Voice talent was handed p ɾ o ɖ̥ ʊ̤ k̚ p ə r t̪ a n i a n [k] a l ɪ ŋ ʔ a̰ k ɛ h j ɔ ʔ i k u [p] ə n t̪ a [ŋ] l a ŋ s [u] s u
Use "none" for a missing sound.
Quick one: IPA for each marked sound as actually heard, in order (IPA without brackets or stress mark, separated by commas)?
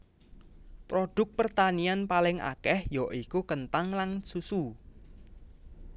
p, k, ŋ, u